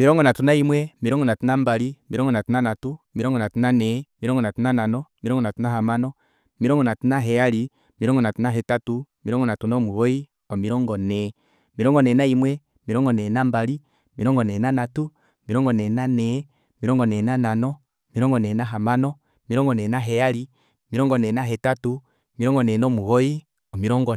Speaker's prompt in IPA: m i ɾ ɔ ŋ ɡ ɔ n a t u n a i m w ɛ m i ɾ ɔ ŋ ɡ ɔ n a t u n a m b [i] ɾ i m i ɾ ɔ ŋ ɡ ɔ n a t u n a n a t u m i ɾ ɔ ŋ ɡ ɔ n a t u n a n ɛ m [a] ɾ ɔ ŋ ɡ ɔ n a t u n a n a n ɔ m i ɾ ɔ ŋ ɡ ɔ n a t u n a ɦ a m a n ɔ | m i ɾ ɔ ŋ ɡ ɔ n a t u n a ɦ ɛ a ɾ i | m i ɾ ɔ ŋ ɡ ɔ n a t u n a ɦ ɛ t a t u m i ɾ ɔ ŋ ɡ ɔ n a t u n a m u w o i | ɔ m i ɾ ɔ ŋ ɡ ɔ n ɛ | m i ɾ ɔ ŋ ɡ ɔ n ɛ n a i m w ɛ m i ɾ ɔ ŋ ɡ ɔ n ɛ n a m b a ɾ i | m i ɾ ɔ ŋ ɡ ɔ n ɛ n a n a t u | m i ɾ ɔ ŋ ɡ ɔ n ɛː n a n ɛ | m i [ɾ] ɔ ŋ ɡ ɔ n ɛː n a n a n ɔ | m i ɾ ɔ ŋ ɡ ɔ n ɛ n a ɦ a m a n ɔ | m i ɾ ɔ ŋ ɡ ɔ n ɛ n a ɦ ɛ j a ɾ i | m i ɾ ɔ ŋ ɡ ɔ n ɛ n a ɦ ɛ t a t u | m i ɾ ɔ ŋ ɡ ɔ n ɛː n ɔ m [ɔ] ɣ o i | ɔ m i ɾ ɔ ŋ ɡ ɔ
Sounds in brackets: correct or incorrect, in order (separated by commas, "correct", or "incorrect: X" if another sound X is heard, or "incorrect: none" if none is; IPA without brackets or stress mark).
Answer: incorrect: a, incorrect: i, correct, incorrect: u